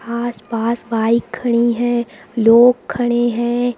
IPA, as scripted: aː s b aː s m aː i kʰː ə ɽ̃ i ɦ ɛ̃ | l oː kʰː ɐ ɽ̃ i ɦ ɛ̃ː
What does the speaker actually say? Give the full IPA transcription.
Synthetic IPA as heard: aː s b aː s b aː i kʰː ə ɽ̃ i ɦ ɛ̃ | l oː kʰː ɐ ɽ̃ e ɦ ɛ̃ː